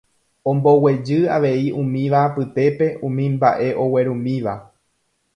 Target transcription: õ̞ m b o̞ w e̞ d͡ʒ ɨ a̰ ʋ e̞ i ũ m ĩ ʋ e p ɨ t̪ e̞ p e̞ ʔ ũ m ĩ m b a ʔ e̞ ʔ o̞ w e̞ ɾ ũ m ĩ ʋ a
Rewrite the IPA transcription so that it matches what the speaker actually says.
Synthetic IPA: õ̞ m b o̞ w e̞ d͡ʒ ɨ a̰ ʋ e̞ i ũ m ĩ ʋ a p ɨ t̪ e̞ p e̞ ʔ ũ m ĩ m b a ʔ e̞ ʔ o̞ w e̞ ɾ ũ m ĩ ʋ a